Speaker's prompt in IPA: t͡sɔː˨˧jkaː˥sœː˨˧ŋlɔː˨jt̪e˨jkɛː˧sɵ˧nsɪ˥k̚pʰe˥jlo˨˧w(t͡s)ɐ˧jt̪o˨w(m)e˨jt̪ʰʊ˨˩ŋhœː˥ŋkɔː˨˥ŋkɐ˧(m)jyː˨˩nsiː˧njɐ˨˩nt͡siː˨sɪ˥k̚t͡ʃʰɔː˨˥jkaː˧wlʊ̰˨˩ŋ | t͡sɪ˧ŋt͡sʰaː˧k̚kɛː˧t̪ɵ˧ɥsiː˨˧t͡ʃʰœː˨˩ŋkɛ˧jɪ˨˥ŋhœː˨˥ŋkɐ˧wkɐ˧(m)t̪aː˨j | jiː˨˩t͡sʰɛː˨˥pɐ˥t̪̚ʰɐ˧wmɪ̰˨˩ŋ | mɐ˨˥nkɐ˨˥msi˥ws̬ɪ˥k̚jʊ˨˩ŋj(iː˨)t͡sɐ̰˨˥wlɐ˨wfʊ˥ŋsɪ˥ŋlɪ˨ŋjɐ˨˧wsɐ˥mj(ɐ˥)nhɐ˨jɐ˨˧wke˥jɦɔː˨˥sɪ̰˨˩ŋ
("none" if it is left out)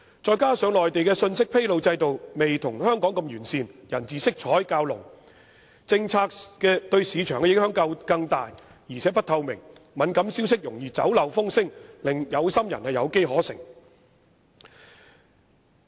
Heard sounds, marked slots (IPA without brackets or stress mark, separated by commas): t͡s, m, m, ŋ, iː˨, ɐ˨˩